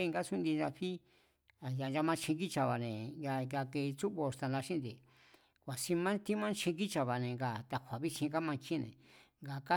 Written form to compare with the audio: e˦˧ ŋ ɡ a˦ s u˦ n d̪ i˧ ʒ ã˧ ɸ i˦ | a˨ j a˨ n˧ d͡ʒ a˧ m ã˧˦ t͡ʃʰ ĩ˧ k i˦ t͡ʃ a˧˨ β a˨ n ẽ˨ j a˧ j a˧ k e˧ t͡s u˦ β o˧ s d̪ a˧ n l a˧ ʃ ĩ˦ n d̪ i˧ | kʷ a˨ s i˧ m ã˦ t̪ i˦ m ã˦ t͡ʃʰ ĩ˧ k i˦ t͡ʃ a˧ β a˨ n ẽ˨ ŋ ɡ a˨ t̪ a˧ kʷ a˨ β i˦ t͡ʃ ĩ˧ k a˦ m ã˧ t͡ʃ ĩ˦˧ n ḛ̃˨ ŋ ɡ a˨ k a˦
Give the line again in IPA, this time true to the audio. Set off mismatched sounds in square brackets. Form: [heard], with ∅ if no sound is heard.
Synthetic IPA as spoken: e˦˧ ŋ ɡ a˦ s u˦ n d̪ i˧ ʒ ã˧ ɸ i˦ | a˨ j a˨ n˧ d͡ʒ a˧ m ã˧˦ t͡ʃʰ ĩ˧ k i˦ t͡ʃ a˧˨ β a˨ n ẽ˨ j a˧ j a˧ k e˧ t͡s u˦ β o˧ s [t̪] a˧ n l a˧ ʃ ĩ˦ n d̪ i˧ | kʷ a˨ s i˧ m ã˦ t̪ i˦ m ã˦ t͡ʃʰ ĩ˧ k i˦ t͡ʃ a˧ β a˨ n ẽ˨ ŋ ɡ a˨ t̪ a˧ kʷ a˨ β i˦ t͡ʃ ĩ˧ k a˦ m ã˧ t͡ʃ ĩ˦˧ n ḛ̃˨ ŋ ɡ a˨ k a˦